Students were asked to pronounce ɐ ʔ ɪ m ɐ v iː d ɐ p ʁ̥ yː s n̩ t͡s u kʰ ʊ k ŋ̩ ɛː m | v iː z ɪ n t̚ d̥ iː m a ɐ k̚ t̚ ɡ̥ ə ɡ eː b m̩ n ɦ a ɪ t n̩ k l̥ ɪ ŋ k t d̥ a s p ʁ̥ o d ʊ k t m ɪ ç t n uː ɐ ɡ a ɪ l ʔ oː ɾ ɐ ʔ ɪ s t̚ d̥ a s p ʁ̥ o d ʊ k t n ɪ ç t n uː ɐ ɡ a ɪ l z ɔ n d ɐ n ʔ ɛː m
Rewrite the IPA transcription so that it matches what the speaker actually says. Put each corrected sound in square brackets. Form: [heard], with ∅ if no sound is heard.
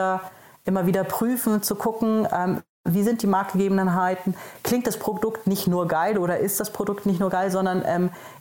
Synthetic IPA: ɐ ʔ ɪ m ɐ v iː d ɐ p ʁ̥ yː [f] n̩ t͡s u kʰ ʊ k ŋ̩ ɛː m | v iː z ɪ n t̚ d̥ iː m a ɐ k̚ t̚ ɡ̥ ə ɡ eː b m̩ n ɦ a ɪ t n̩ k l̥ ɪ ŋ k t d̥ a s p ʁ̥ o d ʊ k t [n] ɪ ç t n uː ɐ ɡ a ɪ l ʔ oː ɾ ɐ ʔ ɪ s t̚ d̥ a s p ʁ̥ o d ʊ k t n ɪ ç t n uː ɐ ɡ a ɪ l z ɔ n d ɐ n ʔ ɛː m